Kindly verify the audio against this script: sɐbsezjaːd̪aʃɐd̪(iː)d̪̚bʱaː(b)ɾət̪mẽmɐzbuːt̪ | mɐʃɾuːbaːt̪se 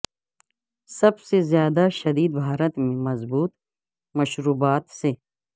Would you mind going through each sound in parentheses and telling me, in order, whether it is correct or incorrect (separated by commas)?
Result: correct, incorrect